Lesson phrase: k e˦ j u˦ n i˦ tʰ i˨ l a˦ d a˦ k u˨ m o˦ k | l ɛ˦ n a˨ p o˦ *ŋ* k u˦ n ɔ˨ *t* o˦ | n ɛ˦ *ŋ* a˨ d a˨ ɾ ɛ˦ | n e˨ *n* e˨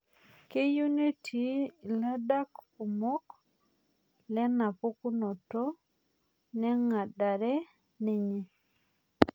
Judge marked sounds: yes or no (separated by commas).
no, yes, yes, no